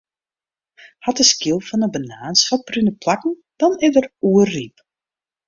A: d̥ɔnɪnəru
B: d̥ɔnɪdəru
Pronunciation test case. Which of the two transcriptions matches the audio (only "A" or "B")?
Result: B